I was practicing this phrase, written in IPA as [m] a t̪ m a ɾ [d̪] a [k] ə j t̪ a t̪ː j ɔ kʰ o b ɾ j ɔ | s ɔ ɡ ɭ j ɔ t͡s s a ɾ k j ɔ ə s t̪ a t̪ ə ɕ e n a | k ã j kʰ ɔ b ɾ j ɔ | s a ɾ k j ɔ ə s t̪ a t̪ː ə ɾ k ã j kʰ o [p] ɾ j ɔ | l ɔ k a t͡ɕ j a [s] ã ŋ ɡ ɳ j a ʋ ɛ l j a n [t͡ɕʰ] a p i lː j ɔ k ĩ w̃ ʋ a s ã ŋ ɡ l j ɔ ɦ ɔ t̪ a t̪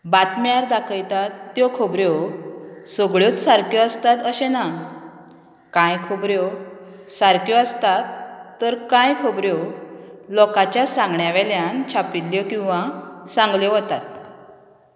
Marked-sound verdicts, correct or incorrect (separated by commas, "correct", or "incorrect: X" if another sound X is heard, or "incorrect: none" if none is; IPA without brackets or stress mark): incorrect: b, correct, incorrect: kʰ, incorrect: b, correct, correct